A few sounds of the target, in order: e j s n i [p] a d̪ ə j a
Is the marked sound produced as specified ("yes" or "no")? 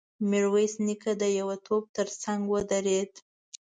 no